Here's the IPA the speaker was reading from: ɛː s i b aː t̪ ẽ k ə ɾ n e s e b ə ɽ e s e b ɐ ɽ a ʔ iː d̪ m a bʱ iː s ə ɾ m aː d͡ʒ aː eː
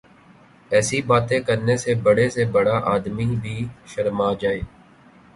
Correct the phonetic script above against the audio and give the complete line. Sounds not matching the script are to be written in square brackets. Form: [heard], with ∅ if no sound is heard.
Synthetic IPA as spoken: ɛː s i b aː t̪ ẽ k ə ɾ n e s e b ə ɽ e s e b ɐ ɽ a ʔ [aː] d̪ m [i] bʱ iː [ʃ] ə ɾ m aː d͡ʒ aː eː